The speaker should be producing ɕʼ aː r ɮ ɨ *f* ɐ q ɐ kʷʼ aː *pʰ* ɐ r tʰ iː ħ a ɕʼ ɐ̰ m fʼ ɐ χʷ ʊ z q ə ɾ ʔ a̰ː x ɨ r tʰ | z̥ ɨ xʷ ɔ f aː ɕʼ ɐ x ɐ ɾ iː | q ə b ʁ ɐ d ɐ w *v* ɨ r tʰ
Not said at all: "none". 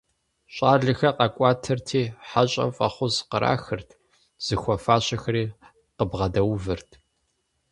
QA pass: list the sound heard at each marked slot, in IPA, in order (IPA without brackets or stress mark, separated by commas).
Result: x, tʰ, v